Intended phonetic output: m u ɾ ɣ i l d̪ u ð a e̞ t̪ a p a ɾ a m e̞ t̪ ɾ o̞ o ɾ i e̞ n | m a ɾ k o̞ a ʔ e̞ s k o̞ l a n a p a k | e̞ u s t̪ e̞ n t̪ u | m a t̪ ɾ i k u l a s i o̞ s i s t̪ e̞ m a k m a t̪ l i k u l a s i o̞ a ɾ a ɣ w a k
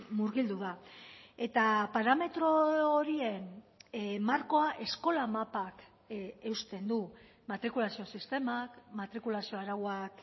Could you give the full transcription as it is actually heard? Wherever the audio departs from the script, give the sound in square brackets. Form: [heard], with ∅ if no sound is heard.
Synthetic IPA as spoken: m u ɾ ɣ i l d̪ u ð a e̞ t̪ a p a ɾ a m e̞ t̪ ɾ o̞ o ɾ i e̞ n | m a ɾ k o̞ a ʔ e̞ s k o̞ l a [m] a p a k | e̞ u s t̪ e̞ n [d̪] u | m a t̪ ɾ i k u l a s i o̞ s i s t̪ e̞ m a k m a t̪ [ɾ] i k u l a s i o̞ a ɾ a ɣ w a k